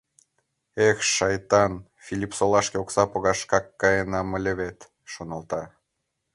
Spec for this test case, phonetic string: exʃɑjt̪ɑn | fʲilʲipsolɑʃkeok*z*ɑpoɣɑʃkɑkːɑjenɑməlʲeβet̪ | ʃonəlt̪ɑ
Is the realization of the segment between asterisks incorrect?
yes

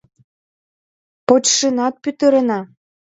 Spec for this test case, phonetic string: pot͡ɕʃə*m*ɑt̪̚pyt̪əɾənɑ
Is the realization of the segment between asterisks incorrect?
yes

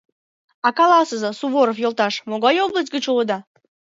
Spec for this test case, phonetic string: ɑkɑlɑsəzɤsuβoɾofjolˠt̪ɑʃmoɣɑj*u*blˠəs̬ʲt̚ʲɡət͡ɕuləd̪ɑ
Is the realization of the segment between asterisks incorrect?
yes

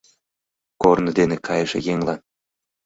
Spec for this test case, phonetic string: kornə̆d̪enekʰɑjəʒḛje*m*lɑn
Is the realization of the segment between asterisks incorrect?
yes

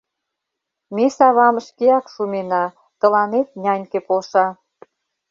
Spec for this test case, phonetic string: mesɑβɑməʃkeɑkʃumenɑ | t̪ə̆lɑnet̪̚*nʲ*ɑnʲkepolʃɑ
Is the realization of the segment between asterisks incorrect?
no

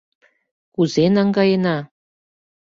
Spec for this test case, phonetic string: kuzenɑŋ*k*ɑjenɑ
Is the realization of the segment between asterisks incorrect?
yes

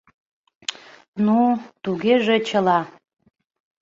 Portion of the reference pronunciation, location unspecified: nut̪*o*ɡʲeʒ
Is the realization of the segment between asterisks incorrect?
yes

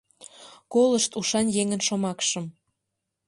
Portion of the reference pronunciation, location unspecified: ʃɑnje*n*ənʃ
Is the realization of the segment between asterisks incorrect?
yes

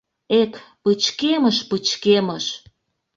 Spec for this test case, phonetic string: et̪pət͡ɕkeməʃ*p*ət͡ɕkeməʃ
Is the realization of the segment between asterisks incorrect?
no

